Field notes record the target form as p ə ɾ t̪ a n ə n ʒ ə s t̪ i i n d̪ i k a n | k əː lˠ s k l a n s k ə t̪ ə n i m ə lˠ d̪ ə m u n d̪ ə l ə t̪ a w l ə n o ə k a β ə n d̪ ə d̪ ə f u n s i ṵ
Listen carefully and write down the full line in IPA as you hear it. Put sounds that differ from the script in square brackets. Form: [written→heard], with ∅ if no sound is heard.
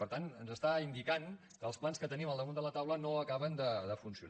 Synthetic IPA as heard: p ə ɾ t̪ a n ə n [ʒ→z] ə s t̪ [i→a] i n d̪ i k a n | k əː lˠ s [k→p] l a n s k ə t̪ ə n i m ə lˠ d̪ ə m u n d̪ ə l ə t̪ a w l ə n o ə k a β ə n d̪ ə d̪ ə f u n s i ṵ